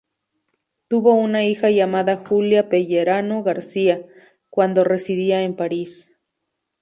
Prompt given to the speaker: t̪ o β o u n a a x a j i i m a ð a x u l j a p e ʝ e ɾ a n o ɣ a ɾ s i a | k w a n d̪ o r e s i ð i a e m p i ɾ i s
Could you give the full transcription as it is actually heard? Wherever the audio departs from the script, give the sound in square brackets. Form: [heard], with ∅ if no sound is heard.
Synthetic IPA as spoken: t̪ [u] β o u n a [i] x a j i [a] m a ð a x u l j a p e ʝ e ɾ a n o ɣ a ɾ s i a | k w a n d̪ o r e s i ð i a e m p [a] ɾ i s